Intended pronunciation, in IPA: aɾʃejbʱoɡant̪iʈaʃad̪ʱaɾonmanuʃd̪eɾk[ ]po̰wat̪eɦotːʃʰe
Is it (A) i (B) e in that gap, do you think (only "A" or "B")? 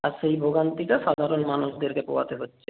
B